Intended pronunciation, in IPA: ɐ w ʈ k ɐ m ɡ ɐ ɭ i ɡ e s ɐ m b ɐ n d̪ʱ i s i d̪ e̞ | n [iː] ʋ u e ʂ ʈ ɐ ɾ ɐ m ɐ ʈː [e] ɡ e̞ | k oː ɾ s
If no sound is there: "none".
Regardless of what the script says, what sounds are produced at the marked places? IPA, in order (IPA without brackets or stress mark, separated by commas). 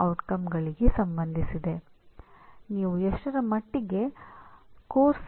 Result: iː, i